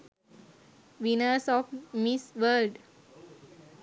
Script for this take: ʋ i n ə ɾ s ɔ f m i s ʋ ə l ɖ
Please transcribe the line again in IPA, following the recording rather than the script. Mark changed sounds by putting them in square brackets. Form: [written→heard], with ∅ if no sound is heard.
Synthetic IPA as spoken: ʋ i n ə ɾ s ɔ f m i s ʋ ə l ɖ